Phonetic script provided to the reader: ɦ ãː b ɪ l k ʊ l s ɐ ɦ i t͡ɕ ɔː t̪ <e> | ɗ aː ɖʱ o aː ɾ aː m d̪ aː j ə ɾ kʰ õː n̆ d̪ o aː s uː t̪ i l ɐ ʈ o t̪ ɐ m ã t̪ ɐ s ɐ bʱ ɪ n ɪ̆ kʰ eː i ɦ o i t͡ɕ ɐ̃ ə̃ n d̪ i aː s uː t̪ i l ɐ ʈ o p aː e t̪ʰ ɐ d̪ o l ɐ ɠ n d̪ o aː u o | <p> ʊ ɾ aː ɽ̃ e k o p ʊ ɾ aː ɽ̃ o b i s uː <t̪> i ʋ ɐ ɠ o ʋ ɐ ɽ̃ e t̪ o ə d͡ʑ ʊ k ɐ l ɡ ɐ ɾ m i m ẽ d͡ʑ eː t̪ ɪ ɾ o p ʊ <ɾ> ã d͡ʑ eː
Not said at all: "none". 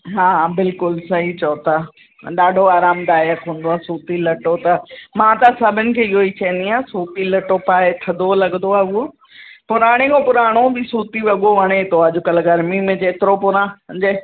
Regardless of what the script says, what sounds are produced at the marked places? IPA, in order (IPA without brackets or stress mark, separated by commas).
a, p, t̪, ɾ